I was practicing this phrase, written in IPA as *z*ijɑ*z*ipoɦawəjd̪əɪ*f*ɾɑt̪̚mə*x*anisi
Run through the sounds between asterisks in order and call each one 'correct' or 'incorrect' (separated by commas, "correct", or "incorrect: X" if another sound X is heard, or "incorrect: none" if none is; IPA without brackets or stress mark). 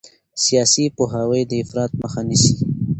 incorrect: s, incorrect: s, correct, correct